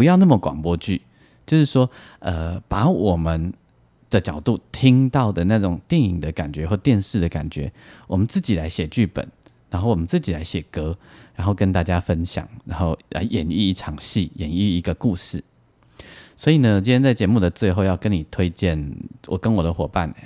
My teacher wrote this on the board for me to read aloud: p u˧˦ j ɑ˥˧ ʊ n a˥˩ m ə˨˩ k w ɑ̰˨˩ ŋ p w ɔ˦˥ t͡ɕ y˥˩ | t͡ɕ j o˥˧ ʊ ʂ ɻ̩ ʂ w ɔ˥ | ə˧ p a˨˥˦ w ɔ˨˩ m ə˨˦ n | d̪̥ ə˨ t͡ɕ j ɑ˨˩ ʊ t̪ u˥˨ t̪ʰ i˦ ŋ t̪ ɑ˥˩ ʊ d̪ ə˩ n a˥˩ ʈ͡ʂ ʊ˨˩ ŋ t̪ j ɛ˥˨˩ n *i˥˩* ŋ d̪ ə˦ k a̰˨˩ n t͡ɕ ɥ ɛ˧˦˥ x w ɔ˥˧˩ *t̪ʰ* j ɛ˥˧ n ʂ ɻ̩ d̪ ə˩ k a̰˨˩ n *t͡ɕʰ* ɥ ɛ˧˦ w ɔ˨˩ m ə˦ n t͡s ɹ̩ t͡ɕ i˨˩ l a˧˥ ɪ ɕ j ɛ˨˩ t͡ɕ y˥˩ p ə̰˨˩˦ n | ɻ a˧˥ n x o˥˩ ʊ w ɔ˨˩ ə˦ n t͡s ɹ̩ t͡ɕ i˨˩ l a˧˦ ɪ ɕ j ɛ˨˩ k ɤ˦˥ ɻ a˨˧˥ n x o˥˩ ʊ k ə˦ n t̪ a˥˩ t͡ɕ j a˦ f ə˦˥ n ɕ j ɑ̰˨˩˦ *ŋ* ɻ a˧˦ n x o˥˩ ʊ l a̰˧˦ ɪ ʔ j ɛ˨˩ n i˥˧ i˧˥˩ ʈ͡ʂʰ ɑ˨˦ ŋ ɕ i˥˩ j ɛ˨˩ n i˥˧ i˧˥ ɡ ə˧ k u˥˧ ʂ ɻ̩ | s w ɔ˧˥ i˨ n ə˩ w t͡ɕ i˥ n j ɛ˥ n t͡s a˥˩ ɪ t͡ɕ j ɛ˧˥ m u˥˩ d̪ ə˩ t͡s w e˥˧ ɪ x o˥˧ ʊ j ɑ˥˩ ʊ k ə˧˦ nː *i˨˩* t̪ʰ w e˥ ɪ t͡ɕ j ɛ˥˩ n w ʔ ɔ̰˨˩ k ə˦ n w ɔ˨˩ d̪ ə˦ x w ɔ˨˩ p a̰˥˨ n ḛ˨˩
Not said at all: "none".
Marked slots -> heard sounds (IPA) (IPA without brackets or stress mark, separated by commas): i˨˩, t̪, t͡ɕ, ŋ, i˨˩